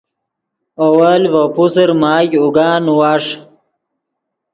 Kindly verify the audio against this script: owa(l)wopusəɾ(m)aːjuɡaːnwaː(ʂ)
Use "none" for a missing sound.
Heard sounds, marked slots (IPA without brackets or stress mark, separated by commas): l, m, ʂ